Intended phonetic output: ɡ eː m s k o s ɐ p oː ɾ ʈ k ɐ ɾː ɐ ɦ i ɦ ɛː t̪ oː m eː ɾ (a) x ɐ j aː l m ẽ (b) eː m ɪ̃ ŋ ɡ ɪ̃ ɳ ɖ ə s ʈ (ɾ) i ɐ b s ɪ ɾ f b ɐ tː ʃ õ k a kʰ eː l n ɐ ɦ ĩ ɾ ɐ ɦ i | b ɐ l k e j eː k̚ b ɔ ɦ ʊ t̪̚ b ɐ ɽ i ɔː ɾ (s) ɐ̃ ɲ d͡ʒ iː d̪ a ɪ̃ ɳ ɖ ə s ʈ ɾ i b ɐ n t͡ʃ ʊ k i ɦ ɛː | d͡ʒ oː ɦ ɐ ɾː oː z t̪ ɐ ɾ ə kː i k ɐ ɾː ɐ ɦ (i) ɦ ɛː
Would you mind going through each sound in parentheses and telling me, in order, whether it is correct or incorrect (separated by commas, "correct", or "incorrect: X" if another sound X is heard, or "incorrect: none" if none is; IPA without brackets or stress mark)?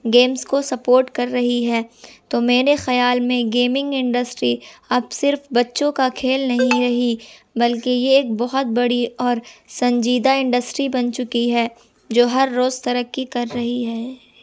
incorrect: e, incorrect: ɡ, correct, correct, correct